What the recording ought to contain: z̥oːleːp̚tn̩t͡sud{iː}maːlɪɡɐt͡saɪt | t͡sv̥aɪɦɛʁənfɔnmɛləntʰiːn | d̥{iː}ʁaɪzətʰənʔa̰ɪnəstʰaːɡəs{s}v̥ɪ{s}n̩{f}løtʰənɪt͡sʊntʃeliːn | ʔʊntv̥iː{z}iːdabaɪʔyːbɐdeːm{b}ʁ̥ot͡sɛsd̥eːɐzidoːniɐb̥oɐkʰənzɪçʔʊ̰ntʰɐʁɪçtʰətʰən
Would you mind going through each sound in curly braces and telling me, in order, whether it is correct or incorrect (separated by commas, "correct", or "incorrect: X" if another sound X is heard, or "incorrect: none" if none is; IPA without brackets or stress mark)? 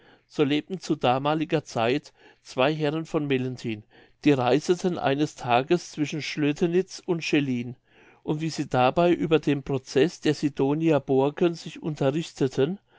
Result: incorrect: aː, correct, incorrect: t͡s, incorrect: ʃ, incorrect: ʃ, correct, incorrect: p